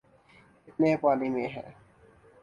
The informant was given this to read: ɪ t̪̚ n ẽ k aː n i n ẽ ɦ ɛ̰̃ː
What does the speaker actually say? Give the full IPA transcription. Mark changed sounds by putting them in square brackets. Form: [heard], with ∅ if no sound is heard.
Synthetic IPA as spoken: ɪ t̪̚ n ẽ [p] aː n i [m] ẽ ɦ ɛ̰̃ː